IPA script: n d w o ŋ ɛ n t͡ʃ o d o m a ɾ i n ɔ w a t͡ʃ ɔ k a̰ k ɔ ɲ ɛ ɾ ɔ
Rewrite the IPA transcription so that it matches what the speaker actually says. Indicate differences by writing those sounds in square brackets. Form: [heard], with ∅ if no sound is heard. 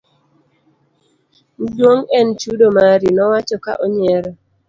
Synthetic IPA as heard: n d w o ŋ ɛ n t͡ʃ [u] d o m a ɾ i n ɔ w a t͡ʃ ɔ k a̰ [ʔ] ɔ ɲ ɛ ɾ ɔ